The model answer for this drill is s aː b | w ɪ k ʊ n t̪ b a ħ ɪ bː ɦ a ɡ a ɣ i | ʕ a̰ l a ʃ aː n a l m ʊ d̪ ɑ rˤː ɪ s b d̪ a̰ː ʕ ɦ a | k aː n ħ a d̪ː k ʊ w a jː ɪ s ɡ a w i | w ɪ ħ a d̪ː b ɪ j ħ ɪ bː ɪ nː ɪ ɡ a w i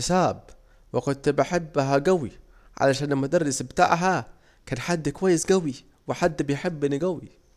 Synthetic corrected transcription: s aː b | w ɪ k ʊ n t̪ b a ħ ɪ bː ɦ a ɡ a w i | ʕ a̰ l a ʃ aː n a l m ʊ d̪ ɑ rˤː ɪ s b t̪ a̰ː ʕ ɦ a | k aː n ħ a d̪ː k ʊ w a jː ɪ s ɡ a w i | w ɪ ħ a d̪ː b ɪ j ħ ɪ bː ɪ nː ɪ ɡ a w i